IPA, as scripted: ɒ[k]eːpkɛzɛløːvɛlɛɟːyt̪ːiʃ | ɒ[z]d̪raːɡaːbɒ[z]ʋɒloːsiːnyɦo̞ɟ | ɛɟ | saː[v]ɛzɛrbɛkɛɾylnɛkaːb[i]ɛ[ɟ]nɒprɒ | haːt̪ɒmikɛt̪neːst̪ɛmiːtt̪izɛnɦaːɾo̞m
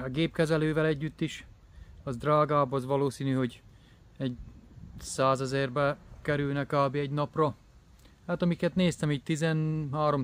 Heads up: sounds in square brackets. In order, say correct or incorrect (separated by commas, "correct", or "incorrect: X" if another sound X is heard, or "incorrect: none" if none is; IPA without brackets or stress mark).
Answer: incorrect: ɡ, correct, correct, incorrect: z, correct, correct